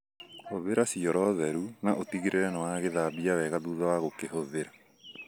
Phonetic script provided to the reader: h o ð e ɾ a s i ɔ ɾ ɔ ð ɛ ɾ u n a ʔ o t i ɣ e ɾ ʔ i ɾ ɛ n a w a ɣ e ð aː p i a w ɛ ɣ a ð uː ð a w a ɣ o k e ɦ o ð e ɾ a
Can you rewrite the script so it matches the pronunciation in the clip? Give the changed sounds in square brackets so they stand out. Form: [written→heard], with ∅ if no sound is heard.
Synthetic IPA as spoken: h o ð e ɾ a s i ɔ ɾ ɔ ð ɛ ɾ u n a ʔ o t i ɣ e ɾ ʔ [i→e] ɾ ɛ n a w a ɣ e ð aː [p→b] i a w ɛ ɣ a ð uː ð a w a ɣ o k e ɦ o ð e ɾ a